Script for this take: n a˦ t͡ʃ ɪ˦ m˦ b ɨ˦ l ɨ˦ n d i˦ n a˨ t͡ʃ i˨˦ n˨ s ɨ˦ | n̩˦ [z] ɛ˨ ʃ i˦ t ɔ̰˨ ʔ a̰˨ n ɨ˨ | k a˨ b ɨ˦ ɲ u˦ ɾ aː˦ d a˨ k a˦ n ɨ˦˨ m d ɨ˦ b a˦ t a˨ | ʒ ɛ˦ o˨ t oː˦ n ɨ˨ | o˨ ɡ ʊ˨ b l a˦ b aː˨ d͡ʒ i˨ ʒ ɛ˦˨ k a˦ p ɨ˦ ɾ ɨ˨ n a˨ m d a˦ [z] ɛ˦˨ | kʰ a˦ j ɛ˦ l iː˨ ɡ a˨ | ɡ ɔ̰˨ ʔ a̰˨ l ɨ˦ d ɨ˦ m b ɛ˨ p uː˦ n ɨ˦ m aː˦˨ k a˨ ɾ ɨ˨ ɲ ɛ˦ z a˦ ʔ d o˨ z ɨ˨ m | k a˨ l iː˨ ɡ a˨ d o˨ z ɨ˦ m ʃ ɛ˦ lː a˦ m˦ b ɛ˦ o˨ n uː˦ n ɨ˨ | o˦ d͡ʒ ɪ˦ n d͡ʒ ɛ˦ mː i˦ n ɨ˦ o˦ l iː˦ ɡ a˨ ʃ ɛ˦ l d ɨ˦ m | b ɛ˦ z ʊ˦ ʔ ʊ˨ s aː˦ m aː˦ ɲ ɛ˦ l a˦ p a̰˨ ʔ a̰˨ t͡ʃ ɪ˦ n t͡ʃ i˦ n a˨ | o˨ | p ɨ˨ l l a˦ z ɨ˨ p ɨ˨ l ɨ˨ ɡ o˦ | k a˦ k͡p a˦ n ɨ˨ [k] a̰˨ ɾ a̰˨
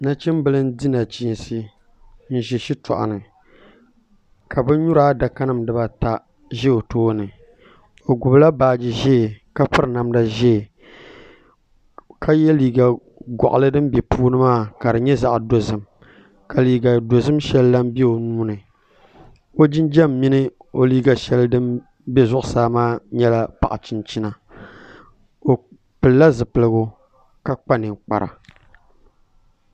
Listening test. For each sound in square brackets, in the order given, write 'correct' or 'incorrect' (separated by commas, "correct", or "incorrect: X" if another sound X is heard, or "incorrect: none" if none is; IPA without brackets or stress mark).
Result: incorrect: ʒ, incorrect: ʒ, incorrect: k͡p